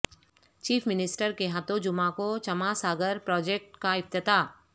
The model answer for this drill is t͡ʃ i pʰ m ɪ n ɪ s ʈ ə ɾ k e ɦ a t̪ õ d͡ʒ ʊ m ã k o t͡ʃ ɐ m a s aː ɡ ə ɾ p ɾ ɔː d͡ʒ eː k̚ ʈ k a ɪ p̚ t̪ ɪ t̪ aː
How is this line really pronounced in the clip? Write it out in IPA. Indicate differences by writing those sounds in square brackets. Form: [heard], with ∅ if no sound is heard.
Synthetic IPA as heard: t͡ʃ [iː] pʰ m ɪ n ɪ s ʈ ə ɾ k e ɦ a t̪ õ d͡ʒ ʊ m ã k o t͡ʃ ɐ m a s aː ɡ ə ɾ p ɾ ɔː d͡ʒ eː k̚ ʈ k a ɪ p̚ t̪ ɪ t̪ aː